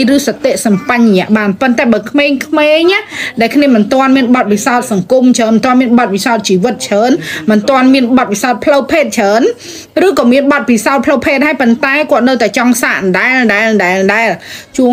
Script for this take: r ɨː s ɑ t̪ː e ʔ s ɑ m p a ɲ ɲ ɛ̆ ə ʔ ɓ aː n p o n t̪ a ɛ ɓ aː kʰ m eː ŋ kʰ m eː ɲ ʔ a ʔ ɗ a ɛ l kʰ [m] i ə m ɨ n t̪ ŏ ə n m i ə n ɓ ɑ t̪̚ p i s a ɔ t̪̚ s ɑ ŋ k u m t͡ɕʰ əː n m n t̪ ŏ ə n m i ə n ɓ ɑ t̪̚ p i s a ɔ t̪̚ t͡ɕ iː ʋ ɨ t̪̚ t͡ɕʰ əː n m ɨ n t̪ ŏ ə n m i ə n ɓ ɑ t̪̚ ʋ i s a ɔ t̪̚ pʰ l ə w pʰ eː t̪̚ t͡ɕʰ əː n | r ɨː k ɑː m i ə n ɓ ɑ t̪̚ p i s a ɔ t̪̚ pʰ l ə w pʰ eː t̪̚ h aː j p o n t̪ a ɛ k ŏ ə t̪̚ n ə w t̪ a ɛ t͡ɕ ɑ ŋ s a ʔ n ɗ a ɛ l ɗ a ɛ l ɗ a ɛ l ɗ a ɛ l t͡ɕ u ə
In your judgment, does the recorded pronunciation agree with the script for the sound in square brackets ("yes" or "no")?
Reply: no